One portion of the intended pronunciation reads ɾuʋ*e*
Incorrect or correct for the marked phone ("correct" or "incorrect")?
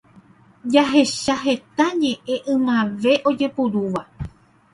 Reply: incorrect